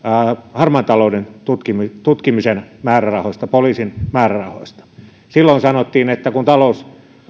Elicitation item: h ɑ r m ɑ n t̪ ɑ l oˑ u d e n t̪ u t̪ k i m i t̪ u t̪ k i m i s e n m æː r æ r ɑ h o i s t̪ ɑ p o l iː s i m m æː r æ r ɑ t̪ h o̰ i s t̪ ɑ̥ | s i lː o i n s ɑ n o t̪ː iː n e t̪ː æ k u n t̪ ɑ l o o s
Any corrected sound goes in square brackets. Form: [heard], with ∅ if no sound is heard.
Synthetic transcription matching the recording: h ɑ r m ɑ n t̪ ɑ l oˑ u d e n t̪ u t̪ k i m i t̪ u t̪ k i m i s e n m æː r æ r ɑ h o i s t̪ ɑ p o l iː s i [n] m æː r æ r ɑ [∅] h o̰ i s t̪ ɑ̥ | s i lː o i n s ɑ n o t̪ː iː n e t̪ː æ k u n t̪ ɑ l o [u] s